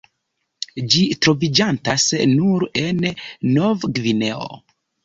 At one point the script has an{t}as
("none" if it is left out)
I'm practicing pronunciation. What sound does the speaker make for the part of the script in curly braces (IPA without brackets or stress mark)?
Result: t